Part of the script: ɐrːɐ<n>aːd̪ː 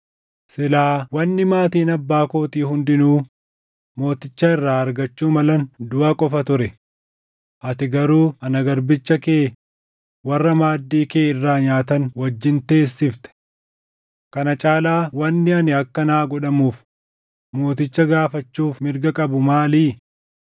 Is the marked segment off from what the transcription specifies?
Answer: yes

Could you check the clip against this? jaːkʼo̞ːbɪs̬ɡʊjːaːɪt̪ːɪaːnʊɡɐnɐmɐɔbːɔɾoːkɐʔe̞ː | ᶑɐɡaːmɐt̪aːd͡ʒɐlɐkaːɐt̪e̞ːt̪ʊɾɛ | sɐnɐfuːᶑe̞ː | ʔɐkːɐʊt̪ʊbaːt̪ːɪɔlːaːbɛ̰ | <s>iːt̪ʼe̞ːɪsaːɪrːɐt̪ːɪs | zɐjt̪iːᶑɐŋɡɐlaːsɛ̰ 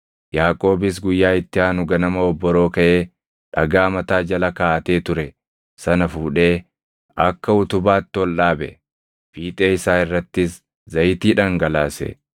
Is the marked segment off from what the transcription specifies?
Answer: yes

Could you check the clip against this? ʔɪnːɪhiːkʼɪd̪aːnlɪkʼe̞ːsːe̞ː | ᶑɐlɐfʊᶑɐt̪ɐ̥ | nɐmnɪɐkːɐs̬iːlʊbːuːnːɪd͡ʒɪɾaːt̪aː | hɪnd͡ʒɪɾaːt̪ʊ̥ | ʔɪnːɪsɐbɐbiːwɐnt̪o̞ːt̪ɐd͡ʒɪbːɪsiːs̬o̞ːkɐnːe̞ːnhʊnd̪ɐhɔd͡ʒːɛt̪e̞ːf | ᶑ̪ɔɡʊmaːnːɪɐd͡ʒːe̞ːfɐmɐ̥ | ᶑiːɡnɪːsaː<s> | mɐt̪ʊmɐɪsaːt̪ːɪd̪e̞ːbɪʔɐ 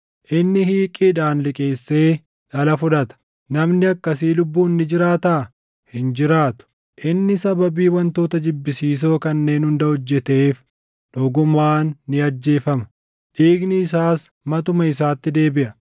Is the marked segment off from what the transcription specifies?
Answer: no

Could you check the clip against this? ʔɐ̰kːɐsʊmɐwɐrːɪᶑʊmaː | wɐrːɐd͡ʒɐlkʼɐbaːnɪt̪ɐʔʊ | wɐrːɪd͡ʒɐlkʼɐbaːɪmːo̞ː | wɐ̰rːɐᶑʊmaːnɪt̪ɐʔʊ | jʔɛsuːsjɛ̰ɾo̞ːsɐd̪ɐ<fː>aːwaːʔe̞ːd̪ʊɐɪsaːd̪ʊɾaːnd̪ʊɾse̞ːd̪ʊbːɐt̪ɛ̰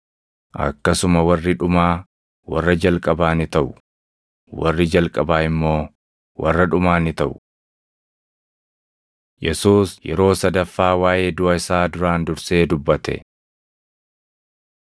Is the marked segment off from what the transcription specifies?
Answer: no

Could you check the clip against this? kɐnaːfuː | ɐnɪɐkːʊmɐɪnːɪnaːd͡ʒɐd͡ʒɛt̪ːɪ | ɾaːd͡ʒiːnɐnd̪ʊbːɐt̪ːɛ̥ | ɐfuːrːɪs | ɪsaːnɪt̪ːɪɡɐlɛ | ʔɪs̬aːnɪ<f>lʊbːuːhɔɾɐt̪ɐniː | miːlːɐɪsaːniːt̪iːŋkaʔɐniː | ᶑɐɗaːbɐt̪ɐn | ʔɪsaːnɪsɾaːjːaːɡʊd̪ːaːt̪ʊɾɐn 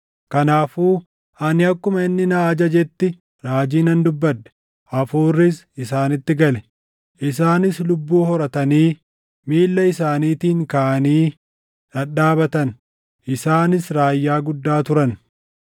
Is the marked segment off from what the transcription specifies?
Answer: yes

